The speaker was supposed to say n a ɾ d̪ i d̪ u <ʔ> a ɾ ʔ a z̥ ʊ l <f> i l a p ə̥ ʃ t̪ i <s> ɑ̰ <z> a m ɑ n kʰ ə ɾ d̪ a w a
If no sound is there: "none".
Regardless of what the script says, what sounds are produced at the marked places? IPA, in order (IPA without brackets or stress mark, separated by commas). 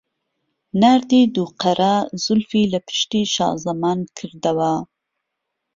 q, f, ʃ, z